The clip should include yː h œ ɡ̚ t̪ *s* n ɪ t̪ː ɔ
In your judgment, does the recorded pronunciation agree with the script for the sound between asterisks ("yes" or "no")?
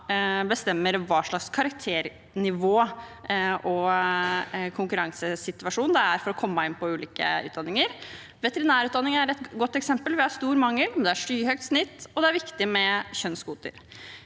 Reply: yes